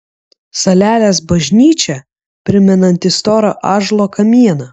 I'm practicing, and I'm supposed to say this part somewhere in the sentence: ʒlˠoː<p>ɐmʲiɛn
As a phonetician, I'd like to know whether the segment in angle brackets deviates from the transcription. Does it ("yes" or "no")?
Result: yes